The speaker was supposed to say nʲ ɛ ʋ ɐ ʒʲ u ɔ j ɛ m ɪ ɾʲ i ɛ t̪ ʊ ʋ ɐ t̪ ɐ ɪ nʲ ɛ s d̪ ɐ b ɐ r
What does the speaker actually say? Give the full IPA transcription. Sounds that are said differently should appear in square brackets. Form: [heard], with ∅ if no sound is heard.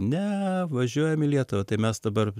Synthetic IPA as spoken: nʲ ɛ ʋ ɐ ʒʲ u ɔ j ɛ m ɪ [lʲ] i ɛ t̪ ʊ ʋ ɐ t̪ ɐ ɪ [mʲ] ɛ s d̪ ɐ b ɐ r

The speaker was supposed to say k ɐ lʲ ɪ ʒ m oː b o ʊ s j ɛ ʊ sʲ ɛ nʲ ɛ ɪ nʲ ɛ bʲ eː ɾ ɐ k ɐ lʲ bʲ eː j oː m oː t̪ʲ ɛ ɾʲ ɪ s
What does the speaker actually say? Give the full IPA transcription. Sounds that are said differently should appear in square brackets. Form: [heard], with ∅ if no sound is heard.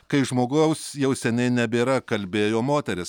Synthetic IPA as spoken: k ɐ [∅] ɪ ʒ m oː [ɡ] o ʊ s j ɛ ʊ sʲ ɛ nʲ ɛ ɪ nʲ ɛ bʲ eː ɾ ɐ k ɐ lʲ bʲ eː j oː m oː t̪ʲ ɛ ɾʲ ɪ s

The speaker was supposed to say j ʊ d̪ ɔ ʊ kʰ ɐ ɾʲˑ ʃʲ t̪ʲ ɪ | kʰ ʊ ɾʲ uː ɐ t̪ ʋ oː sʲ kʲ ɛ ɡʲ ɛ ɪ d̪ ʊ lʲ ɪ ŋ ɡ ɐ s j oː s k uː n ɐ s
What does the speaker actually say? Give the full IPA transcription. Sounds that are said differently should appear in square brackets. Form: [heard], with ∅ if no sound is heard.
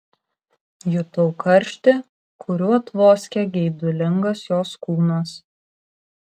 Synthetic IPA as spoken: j ʊ [t̪] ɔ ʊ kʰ ɐ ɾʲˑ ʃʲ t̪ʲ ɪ | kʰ ʊ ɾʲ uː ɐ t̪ ʋ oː sʲ kʲ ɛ ɡʲ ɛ ɪ d̪ ʊ lʲ ɪ ŋ ɡ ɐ s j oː s k uː n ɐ s

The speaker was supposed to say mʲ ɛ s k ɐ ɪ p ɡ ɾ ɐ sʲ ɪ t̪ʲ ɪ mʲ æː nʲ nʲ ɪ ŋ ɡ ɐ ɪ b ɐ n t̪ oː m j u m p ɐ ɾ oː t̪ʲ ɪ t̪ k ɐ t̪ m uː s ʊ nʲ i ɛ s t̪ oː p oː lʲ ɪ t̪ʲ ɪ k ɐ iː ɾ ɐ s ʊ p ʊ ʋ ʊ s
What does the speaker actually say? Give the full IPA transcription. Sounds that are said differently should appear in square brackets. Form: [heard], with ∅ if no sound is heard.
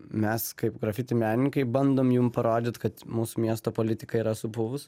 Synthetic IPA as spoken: mʲ ɛ s k ɐ ɪ p ɡ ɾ ɐ [fʲ] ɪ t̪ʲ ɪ mʲ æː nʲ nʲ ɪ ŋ [k] ɐ ɪ b ɐ n [d̪] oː m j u m p ɐ ɾ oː [d̪ʲ] ɪ t̪ k ɐ t̪ m uː s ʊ [mʲ] i ɛ s t̪ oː p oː lʲ ɪ t̪ʲ ɪ k ɐ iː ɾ ɐ s ʊ p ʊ ʋ ʊ s

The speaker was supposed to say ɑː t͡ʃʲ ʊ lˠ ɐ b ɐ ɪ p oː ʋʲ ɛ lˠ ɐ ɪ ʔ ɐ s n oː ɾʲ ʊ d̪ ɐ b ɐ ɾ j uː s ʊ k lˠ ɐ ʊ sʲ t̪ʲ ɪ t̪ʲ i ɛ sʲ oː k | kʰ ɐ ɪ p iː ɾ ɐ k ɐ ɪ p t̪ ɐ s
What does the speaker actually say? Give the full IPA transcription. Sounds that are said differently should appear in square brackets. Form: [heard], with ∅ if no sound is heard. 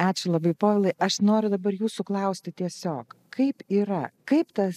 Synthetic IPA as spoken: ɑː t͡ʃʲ ʊ lˠ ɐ b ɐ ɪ p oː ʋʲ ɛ lˠ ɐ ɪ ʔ ɐ [ʃ] n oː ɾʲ ʊ d̪ ɐ b ɐ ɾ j uː s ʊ k lˠ ɐ ʊ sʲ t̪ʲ ɪ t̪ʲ i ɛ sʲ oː k | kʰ ɐ ɪ p iː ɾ ɐ k ɐ ɪ p t̪ ɐ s

